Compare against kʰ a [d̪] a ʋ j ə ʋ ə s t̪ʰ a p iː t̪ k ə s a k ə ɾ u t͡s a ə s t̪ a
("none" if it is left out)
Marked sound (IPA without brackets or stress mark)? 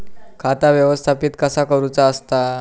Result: t̪